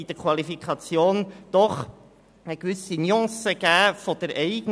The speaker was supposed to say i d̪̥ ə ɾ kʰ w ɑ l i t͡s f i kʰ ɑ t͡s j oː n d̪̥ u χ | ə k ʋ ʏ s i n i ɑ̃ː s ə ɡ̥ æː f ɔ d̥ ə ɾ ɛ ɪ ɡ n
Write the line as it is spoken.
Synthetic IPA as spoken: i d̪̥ ə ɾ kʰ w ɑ l i f i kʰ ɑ t͡s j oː n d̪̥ ɔ χ | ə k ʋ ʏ s i n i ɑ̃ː s ə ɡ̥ æː f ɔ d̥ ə ɾ ɛ ɪ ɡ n